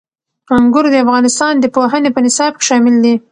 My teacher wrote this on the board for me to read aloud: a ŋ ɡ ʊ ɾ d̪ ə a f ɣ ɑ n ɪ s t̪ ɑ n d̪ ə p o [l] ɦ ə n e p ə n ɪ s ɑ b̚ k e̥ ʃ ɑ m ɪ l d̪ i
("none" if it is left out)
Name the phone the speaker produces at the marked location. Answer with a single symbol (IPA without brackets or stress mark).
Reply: none